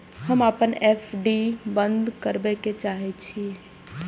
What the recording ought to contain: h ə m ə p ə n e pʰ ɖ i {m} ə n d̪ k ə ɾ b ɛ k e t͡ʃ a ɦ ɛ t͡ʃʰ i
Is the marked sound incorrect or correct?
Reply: incorrect